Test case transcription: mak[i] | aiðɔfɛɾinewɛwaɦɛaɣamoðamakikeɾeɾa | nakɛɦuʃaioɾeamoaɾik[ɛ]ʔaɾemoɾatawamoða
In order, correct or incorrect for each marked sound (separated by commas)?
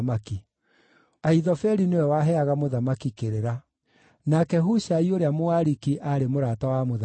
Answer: correct, incorrect